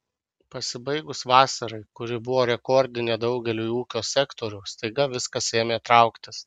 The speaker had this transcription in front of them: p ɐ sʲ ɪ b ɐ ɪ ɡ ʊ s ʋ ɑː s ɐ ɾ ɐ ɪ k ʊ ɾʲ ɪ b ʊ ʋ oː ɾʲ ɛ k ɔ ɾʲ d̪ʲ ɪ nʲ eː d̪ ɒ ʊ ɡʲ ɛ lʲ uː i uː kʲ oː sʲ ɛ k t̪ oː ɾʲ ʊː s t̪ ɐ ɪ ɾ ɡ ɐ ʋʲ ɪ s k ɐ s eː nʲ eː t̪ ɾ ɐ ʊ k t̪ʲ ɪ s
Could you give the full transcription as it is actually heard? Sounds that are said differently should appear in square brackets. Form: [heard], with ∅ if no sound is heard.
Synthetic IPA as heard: p ɐ sʲ ɪ b ɐ ɪ ɡ ʊ s ʋ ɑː s ɐ ɾ ɐ ɪ k ʊ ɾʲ ɪ b ʊ ʋ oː ɾʲ ɛ k ɔ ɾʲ d̪ʲ ɪ nʲ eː d̪ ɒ ʊ ɡʲ ɛ lʲ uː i uː kʲ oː sʲ ɛ k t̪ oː ɾʲ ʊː s t̪ ɐ ɪ [∅] ɡ ɐ ʋʲ ɪ s k ɐ s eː [mʲ] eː t̪ ɾ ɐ ʊ k t̪ʲ ɪ s